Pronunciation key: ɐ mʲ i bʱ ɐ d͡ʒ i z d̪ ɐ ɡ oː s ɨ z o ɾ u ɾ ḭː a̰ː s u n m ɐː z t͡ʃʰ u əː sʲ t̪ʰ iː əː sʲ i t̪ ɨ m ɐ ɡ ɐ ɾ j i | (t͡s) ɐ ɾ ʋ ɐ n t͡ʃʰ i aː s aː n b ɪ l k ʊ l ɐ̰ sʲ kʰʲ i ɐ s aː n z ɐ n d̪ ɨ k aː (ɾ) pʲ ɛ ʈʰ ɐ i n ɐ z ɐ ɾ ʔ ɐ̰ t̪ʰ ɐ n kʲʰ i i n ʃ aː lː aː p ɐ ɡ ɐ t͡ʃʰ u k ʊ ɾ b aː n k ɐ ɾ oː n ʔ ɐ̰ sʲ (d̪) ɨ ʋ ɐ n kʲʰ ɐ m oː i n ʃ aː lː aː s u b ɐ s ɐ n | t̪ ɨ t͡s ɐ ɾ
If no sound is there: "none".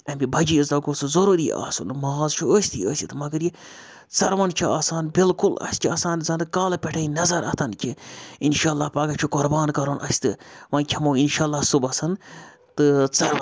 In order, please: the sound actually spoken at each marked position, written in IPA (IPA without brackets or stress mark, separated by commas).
t͡s, l, t̪